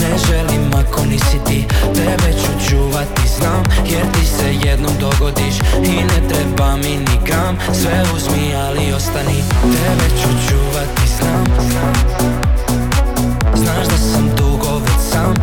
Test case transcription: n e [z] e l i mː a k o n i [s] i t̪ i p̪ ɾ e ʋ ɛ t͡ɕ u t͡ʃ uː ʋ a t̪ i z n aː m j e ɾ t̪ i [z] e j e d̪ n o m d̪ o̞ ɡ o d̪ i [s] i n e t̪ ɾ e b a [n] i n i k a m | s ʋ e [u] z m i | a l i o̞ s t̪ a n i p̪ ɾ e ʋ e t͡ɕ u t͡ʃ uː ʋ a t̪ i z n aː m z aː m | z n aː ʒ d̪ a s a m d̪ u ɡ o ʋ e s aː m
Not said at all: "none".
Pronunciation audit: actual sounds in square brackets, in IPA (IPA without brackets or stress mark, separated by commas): ʒ, s, s, ʃ, m, u